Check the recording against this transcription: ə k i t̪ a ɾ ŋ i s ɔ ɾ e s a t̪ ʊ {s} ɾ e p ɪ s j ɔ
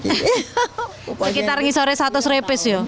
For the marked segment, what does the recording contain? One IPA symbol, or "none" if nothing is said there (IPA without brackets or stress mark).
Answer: s